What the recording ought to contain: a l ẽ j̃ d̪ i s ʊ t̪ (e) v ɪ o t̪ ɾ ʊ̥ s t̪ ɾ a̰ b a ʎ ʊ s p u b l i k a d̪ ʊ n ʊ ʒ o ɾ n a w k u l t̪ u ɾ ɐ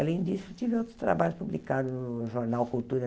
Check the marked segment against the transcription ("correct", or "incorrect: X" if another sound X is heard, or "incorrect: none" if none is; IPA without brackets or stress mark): incorrect: i